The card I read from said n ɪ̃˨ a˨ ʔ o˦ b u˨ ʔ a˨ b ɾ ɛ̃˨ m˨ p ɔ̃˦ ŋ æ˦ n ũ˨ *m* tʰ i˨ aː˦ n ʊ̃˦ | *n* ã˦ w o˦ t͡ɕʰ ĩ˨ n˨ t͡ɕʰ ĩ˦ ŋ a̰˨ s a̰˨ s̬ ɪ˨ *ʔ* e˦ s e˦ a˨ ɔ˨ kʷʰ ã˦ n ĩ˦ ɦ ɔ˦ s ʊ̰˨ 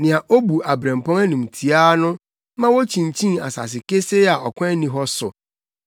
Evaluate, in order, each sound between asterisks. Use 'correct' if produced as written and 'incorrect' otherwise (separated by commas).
correct, incorrect, incorrect